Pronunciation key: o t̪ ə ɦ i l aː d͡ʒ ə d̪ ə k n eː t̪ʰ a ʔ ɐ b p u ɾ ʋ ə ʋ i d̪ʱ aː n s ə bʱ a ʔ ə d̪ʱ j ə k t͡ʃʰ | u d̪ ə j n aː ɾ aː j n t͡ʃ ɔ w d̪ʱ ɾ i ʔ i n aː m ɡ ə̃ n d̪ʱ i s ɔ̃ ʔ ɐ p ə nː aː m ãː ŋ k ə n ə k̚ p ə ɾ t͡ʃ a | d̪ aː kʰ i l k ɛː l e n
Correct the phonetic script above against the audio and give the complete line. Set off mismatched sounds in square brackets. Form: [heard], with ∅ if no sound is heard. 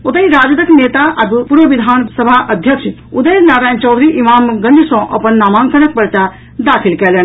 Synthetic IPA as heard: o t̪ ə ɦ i [ɾ] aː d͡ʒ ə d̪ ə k n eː [t̪] a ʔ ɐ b p u ɾ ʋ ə ʋ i d̪ʱ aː n s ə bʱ a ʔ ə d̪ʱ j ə k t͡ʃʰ | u d̪ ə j n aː ɾ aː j n t͡ʃ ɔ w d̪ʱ ɾ i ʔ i [m] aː m ɡ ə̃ n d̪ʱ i s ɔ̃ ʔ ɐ p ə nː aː m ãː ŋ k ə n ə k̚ p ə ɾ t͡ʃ a | d̪ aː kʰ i l k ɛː l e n